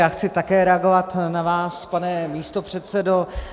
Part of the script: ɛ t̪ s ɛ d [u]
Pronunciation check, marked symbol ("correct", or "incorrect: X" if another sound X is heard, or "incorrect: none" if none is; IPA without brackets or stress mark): incorrect: o